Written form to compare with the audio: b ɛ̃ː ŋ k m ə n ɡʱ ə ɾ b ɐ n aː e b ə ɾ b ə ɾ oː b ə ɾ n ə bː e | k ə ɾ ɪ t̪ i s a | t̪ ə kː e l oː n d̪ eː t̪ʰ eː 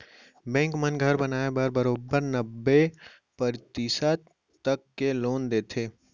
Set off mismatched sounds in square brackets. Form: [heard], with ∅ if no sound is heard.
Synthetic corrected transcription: b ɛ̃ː ŋ k m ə n ɡʱ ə ɾ b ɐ n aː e b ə ɾ b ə ɾ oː b ə ɾ n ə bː e | [p] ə ɾ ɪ t̪ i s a | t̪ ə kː e l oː n d̪ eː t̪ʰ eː

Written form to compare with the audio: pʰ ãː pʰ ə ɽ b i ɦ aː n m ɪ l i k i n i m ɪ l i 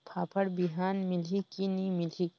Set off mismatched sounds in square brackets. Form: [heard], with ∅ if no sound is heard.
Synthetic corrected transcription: pʰ [aː] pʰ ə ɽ b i ɦ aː n m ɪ l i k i n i m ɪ l i

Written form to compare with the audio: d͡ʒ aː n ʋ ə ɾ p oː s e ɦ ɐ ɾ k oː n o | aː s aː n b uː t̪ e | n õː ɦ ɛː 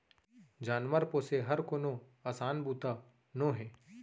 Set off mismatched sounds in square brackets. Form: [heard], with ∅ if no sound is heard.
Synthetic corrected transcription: d͡ʒ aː n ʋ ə ɾ p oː s e ɦ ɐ ɾ k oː n o | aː s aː n b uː t̪ [a] | n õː ɦ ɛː

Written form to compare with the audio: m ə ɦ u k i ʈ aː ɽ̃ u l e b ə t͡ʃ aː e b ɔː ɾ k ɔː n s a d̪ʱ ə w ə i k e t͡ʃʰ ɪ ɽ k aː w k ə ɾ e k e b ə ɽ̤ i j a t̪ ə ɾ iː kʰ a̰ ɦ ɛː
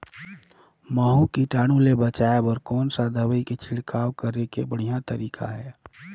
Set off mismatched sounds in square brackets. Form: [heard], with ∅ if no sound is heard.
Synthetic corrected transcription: m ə ɦ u k i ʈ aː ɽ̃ u l e b ə t͡ʃ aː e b ɔː ɾ k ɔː n s a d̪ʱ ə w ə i k e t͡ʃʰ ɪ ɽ k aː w k ə ɾ e k e b ə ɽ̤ i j a t̪ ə ɾ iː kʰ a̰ ɦ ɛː

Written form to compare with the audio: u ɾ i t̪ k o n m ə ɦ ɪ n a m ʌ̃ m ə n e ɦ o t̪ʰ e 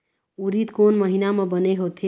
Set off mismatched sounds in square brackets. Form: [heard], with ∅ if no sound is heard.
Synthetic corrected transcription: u ɾ i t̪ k o n m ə ɦ [i] n a m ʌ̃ [b] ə n e ɦ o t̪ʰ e

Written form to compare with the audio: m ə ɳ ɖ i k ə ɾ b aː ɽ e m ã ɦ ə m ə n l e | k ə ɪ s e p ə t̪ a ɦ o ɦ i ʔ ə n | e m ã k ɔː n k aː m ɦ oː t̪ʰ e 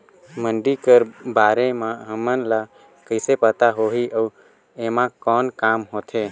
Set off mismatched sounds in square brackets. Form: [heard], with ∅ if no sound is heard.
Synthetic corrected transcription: m ə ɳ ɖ i k ə ɾ b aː [ɾ] e m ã ɦ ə m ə n l [a] | k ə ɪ s e p ə t̪ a ɦ o ɦ i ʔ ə [∅] | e m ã k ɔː n k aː m ɦ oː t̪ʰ e

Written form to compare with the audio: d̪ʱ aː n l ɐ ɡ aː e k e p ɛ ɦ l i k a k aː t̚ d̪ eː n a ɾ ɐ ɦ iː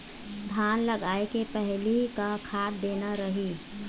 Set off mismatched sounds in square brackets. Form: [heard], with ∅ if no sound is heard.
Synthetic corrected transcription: d̪ʱ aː n l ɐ ɡ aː e k e p ɛ ɦ l i k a [kʰ] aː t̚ d̪ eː n a ɾ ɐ ɦ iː

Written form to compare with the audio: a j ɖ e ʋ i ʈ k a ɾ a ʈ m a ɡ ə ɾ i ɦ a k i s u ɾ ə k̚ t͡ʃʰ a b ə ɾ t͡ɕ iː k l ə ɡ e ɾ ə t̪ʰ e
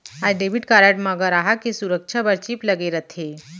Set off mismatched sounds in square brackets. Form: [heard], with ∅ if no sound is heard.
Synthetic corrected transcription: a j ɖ e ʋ i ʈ k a ɾ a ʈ m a ɡ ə ɾ [a] ɦ a k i s u ɾ ə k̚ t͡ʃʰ a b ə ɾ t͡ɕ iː [p] l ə ɡ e ɾ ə t̪ʰ e

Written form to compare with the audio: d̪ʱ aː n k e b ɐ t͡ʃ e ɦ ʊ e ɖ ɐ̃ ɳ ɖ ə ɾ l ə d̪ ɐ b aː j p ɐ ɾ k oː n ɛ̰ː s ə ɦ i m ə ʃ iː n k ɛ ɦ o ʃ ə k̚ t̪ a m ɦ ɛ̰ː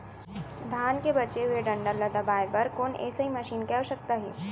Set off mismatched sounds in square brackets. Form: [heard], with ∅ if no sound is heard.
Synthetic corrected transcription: d̪ʱ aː n k e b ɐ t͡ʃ e ɦ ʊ e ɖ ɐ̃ ɳ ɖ ə ɾ l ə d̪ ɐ b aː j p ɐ ɾ k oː n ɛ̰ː s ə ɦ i m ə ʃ iː n k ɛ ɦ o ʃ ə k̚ t̪ a [∅] ɦ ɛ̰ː

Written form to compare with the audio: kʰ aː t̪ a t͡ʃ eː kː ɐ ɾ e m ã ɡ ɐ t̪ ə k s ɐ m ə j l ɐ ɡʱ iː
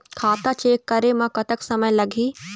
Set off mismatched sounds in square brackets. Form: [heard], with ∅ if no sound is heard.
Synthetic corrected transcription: kʰ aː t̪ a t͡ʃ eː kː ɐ ɾ e m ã [k] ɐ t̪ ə k s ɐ m ə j l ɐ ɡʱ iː

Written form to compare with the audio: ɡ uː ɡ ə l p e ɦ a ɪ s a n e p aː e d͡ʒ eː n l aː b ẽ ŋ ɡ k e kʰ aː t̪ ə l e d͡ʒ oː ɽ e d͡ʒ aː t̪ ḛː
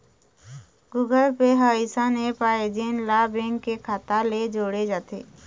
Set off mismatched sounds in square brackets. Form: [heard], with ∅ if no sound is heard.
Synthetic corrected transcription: ɡ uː ɡ ə l p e ɦ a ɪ s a n e p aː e d͡ʒ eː n l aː b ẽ ŋ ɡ k e kʰ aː t̪ [a] l e d͡ʒ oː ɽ e d͡ʒ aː t̪ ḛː

